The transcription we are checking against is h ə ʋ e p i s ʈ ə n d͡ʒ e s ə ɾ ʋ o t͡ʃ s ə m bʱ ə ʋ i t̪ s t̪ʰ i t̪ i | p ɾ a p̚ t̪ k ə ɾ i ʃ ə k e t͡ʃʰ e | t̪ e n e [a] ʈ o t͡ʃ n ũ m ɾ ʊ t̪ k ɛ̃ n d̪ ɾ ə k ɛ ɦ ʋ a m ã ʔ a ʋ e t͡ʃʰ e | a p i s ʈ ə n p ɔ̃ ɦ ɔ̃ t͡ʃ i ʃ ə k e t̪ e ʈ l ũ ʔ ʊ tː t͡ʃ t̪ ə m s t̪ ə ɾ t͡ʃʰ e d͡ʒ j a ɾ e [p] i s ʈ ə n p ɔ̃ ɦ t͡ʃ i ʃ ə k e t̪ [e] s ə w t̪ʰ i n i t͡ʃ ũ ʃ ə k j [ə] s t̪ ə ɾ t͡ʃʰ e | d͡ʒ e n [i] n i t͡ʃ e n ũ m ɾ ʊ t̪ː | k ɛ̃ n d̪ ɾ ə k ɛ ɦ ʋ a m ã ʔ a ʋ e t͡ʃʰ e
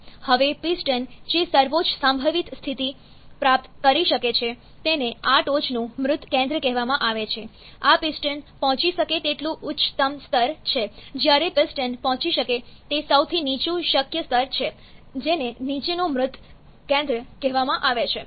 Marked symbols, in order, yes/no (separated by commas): yes, yes, yes, yes, no